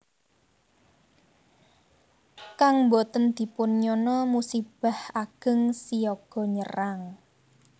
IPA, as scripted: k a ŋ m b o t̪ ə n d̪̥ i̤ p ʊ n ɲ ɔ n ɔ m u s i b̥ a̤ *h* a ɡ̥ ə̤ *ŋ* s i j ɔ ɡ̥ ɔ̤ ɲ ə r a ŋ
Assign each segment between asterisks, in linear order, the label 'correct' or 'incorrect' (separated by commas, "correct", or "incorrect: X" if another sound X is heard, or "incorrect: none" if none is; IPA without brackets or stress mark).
correct, correct